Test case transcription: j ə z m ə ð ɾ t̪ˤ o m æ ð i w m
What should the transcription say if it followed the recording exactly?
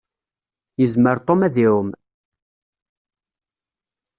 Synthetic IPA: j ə z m ə ɾ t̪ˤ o m æ ð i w m